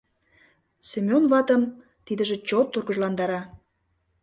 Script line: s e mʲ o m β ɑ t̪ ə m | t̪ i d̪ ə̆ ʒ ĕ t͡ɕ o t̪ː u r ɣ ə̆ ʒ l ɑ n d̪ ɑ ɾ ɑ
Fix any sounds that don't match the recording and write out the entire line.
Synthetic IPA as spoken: s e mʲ o n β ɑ t̪ ə m | t̪ i d̪ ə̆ ʒ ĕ t͡ɕ o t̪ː u r ɣ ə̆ ʒ l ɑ n d̪ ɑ ɾ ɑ

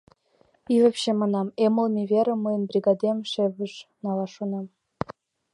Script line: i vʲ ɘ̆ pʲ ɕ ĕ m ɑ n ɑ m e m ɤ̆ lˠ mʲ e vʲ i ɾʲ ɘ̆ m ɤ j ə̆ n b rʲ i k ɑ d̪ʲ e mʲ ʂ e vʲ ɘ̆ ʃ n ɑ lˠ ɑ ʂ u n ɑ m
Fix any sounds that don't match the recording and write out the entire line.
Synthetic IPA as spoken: i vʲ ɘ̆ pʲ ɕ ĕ m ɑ n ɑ m e m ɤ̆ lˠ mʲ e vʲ e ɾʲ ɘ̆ m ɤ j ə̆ n b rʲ i ɡ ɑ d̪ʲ e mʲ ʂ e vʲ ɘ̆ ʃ n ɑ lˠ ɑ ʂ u n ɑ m

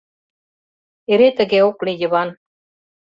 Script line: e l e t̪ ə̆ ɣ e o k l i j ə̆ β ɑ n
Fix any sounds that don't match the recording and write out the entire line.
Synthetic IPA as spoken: e ɾ e t̪ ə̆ ɣ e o k l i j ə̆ β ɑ n

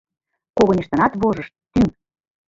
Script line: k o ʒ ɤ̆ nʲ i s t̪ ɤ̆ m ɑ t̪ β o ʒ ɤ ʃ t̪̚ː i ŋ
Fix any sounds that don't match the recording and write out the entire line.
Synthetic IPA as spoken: k o ɣ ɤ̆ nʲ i ʃ t̪ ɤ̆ n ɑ t̪ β o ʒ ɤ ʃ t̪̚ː y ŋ

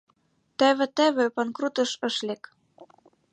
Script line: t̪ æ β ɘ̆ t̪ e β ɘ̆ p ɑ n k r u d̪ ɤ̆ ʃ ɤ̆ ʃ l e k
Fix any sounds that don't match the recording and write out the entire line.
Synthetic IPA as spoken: t̪ æ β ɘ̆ t̪ æ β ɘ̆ p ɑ n k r u t̪ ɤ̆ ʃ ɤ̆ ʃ l e k

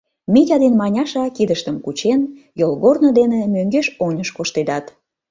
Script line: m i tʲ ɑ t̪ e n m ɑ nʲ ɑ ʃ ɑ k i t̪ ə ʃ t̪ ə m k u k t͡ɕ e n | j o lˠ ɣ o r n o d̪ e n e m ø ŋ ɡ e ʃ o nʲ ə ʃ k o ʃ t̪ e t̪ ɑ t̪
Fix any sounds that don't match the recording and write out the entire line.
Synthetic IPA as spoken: m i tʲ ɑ d̪ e n m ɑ nʲ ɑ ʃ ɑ k i d̪ ə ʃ t̪ ə m k u t͡ɕ e n | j o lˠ ɣ o r n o d̪ e n e m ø ŋ ɡ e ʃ o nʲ ə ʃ k o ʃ t̪ e d̪ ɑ t̪

